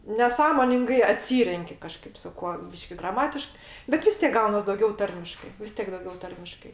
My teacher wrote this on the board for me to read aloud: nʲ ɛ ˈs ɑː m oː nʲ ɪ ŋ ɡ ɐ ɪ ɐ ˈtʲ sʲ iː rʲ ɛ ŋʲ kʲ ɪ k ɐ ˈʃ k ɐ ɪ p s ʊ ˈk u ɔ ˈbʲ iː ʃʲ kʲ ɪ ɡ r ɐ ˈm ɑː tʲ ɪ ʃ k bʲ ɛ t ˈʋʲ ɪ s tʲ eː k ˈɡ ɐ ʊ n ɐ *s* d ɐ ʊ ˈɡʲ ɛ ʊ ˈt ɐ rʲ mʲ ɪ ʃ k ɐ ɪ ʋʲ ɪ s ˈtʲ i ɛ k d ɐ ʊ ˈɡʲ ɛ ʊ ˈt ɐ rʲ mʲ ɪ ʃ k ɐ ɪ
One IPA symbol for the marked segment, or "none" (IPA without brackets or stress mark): s